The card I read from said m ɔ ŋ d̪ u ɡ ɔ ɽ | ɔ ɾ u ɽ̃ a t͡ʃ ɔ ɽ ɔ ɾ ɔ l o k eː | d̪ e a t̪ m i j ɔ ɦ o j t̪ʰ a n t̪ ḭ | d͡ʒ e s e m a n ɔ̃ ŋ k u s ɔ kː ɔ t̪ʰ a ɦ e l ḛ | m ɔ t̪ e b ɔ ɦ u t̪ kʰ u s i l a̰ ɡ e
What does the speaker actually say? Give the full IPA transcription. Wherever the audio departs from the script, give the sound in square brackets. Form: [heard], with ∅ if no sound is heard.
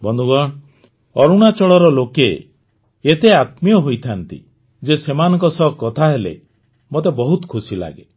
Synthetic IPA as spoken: [b] ɔ [n] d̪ u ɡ ɔ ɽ | ɔ ɾ u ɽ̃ a t͡ʃ ɔ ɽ ɔ ɾ ɔ l o k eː | [t̪] e a t̪ m i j ɔ ɦ o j t̪ʰ a n t̪ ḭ | d͡ʒ e s e m a n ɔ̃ ŋ k [ɔ] s ɔ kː ɔ t̪ʰ a ɦ e l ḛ | m [o] t̪ e b ɔ ɦ u t̪ kʰ u s i l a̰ ɡ e